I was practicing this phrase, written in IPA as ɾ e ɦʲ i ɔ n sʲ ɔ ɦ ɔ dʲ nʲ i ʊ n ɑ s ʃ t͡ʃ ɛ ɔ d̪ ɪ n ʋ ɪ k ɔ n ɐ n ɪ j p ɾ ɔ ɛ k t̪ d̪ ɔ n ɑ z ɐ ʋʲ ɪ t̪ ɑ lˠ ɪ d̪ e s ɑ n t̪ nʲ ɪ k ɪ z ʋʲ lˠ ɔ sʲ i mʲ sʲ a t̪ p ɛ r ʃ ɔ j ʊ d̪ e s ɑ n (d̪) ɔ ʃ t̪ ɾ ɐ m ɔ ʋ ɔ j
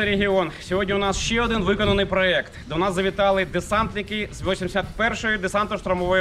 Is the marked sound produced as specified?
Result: no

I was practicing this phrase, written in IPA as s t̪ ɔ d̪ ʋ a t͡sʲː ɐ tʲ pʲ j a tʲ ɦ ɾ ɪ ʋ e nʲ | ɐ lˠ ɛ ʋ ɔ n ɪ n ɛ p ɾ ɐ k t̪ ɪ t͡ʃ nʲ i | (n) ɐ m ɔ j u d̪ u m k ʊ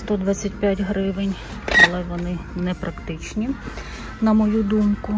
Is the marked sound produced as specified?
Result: yes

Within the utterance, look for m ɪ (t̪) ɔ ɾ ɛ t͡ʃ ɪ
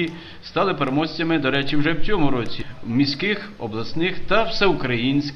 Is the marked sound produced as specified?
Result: no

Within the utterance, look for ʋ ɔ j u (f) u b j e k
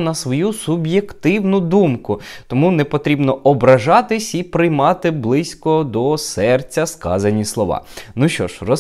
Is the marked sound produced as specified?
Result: no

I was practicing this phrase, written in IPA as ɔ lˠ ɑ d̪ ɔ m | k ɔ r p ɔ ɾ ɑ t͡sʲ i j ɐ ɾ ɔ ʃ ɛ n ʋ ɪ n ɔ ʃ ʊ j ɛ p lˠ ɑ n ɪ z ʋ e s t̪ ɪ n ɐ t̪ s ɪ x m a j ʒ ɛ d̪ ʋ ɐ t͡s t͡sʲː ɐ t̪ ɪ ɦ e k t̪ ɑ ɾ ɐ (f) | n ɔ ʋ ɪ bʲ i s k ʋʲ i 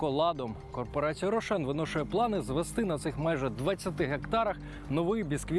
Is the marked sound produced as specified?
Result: no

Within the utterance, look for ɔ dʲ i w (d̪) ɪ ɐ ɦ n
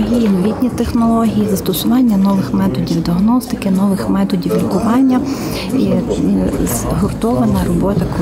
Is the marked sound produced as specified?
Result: yes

